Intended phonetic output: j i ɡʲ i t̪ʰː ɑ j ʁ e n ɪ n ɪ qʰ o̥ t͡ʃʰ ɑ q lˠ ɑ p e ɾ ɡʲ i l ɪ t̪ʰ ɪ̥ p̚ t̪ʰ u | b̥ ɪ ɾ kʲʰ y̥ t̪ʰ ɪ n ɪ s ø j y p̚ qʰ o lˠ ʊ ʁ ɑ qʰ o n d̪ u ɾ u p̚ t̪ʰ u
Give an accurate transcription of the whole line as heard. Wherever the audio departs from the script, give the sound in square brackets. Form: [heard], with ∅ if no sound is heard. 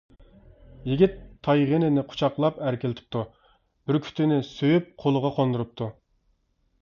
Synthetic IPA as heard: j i ɡʲ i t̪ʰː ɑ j ʁ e n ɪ n ɪ qʰ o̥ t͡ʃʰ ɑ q lˠ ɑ p [æ] ɾ [kʲ] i l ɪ t̪ʰ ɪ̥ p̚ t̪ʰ u | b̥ ɪ ɾ kʲʰ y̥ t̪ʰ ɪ n ɪ s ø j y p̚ qʰ o lˠ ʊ ʁ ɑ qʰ o n d̪ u ɾ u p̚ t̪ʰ u